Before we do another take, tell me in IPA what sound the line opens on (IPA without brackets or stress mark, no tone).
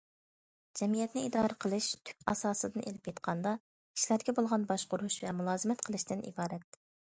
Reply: d͡ʒ